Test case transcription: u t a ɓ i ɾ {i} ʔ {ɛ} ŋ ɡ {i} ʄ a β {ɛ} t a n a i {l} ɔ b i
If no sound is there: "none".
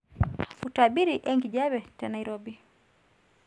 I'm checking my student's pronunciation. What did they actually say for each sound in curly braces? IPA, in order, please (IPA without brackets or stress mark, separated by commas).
i, ɛ, i, ɛ, ɾ